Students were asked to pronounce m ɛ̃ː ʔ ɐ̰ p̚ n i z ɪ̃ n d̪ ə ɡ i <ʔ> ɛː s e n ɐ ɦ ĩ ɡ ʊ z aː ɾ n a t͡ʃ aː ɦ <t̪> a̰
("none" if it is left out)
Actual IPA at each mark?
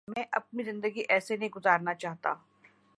ʔ, t̪

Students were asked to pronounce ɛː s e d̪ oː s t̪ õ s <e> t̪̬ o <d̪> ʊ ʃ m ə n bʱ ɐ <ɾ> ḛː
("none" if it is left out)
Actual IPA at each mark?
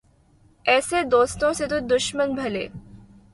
e, d̪, l

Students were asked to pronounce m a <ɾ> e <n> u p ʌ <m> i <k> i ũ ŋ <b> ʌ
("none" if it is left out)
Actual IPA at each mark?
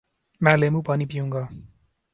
l, m, n, p, ɡ

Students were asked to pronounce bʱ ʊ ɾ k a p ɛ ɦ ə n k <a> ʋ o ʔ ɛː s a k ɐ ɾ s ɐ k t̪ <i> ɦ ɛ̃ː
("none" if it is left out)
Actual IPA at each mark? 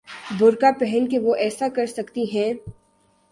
e, i

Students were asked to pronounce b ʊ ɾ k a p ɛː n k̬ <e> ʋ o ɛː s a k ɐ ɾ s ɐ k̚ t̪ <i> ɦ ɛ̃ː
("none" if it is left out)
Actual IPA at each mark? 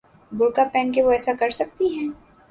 e, i

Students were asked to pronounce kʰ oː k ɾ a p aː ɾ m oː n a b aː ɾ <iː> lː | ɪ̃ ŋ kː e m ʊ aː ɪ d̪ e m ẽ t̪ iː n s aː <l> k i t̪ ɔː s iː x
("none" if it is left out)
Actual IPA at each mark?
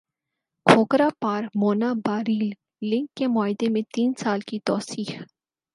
iː, l

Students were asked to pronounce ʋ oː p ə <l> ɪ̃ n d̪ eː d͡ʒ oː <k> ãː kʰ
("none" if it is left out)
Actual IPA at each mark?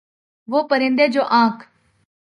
ɾ, ʔ

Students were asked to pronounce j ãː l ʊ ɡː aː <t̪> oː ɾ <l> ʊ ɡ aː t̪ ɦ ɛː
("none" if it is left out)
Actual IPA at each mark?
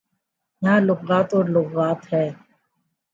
t̪, l

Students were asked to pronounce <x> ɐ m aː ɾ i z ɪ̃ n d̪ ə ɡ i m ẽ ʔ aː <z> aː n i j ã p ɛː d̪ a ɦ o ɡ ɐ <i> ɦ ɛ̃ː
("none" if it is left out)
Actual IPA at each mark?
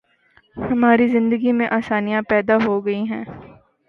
h, s, i

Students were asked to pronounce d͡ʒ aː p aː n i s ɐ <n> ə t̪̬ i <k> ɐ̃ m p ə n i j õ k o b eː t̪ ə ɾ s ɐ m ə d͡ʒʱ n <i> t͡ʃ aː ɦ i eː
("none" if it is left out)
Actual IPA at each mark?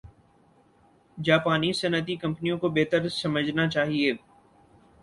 n, k, a

